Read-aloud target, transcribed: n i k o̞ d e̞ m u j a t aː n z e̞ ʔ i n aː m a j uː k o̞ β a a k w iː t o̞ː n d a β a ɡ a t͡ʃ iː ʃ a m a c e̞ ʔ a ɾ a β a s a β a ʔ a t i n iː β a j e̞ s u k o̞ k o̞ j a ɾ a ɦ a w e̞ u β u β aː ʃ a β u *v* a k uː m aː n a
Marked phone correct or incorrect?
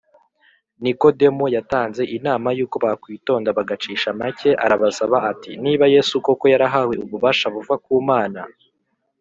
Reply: correct